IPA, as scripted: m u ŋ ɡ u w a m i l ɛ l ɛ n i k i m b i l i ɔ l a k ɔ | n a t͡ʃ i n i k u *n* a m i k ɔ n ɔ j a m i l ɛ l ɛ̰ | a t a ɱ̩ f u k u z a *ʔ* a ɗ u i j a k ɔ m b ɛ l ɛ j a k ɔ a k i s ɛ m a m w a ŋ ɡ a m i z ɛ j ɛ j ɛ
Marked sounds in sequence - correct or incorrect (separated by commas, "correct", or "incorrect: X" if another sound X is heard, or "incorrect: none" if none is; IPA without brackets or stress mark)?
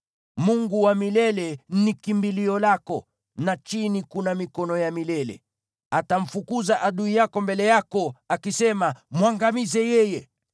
correct, correct